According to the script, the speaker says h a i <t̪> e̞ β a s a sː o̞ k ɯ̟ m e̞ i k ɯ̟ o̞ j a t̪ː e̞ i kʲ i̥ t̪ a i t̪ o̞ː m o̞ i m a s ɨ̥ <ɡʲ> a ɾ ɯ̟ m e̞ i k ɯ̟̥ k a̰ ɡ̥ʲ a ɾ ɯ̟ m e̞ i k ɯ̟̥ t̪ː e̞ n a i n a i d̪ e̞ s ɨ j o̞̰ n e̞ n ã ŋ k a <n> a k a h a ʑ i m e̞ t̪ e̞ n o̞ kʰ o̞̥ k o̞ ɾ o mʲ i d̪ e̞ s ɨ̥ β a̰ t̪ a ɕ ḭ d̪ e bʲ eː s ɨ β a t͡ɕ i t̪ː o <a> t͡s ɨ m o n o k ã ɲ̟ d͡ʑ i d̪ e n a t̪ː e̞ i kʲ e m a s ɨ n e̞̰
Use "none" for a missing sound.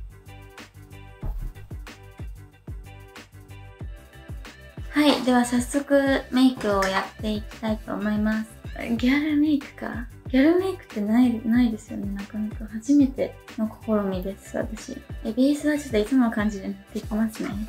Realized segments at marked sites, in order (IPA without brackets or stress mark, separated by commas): d̪, ɡʲ, n, i